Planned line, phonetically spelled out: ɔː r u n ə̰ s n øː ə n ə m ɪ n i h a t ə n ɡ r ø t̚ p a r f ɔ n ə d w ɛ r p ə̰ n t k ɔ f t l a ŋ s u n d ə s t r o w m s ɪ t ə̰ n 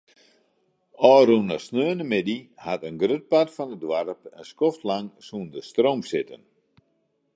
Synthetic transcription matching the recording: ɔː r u n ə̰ s n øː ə n ə m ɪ d i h a t ə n ɡ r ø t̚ p a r f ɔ n ə d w a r p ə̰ n s k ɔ f t l a ŋ s u n d ə s t r o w m s ɪ t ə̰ n